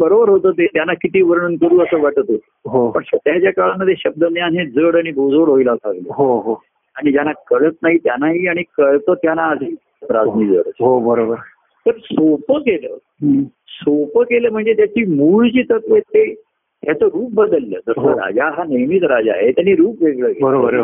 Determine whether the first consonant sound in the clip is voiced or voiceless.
voiced